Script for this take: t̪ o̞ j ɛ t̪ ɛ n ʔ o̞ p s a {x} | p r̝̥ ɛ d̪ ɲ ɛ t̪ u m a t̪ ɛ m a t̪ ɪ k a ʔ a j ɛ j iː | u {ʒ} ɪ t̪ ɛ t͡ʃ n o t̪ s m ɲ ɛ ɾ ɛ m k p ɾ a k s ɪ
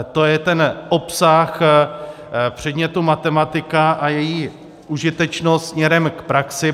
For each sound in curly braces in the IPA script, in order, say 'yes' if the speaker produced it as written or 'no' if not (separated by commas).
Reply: yes, yes